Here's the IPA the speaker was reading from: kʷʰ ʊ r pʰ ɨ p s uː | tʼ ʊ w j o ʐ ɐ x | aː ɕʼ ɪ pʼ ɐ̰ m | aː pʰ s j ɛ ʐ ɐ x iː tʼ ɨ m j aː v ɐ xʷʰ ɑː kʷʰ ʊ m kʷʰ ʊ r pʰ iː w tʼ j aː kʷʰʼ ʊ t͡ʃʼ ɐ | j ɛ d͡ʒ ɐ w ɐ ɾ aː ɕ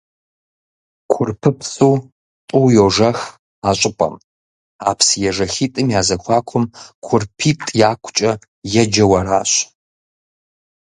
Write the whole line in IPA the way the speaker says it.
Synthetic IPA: kʷʰ ʊ r pʰ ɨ p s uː | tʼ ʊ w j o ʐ ɐ x | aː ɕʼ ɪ pʼ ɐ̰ m | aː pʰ s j ɛ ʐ ɐ x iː tʼ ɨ m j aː z ɐ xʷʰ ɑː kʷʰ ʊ m kʷʰ ʊ r pʰ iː tʼ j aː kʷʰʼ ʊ t͡ʃʼ ɐ | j ɛ d͡ʒ ɐ w ɐ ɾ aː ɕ